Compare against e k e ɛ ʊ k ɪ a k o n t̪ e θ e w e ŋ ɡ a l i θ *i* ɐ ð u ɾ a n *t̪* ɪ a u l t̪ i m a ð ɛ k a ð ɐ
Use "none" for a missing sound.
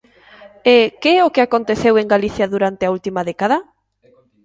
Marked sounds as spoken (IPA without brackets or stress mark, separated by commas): j, t̪